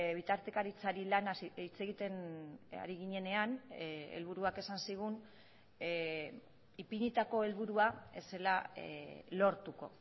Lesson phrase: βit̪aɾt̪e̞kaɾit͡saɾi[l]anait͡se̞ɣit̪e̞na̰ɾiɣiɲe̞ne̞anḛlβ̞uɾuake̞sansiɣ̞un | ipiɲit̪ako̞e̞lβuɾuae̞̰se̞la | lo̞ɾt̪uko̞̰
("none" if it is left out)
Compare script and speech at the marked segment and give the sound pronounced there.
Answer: l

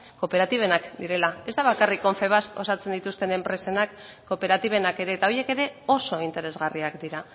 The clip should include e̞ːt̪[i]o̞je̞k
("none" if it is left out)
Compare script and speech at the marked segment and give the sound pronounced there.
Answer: a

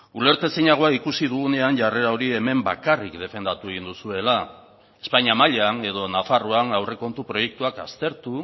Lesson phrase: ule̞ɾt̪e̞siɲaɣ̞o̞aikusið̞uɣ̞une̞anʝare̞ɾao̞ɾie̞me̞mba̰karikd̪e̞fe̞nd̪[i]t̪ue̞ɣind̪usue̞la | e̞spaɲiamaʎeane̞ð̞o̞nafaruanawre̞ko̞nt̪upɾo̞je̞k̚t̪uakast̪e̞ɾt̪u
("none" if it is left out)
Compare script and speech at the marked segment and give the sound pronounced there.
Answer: a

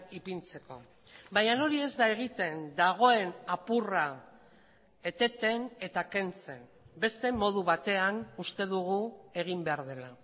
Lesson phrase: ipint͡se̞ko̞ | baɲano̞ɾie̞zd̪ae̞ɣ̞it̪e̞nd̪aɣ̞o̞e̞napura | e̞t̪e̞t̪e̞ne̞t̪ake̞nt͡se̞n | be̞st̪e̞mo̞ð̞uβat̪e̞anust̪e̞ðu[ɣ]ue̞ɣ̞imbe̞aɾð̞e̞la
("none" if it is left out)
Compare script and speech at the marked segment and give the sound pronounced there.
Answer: ɣ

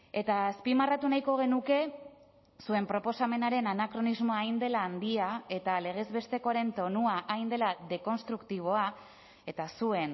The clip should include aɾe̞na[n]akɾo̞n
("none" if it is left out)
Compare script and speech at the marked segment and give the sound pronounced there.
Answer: n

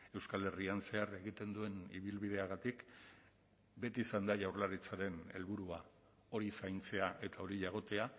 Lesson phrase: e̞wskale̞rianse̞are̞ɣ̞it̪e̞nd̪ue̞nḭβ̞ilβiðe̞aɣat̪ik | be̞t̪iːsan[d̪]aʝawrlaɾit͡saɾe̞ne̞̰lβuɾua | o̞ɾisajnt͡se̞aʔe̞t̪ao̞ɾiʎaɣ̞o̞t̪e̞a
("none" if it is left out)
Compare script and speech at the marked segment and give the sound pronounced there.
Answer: d̪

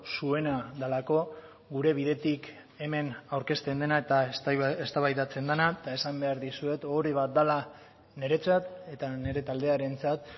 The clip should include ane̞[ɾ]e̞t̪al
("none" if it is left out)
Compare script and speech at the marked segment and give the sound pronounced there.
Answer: ɾ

